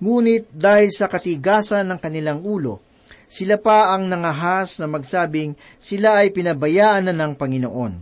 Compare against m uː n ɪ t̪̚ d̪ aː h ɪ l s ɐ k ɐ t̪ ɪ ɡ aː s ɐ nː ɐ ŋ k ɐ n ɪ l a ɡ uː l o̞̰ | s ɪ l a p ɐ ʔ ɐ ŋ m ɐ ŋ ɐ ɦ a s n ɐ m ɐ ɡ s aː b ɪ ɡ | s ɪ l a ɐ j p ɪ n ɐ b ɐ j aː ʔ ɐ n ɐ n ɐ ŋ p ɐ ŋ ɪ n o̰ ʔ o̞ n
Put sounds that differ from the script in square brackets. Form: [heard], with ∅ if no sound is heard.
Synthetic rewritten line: [ŋ] uː n ɪ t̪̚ d̪ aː h ɪ l s ɐ k ɐ t̪ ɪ ɡ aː s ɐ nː ɐ ŋ k ɐ n ɪ l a [ŋ] uː l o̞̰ | s ɪ l a p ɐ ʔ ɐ ŋ [n] ɐ ŋ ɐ ɦ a s n ɐ m ɐ ɡ s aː b ɪ [ŋ] | s ɪ l a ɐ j p ɪ n ɐ b ɐ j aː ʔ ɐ n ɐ n ɐ ŋ p ɐ ŋ ɪ n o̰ ʔ o̞ n